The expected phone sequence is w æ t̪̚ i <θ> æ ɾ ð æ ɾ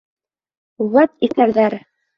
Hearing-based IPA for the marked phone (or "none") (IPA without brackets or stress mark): θ